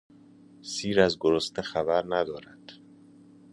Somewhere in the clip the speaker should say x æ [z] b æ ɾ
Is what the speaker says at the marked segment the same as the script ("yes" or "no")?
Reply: no